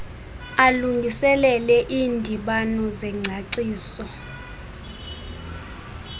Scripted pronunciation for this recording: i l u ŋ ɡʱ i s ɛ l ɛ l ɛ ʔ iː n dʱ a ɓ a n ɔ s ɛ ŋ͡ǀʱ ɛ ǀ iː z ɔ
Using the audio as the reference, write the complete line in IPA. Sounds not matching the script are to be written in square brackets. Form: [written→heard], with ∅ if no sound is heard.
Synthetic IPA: [i→a] l u ŋ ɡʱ i s ɛ l ɛ l ɛ ʔ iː n dʱ [a→i] ɓ a n ɔ [s→z] ɛ ŋ͡ǀʱ [ɛ→a] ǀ iː [z→s] ɔ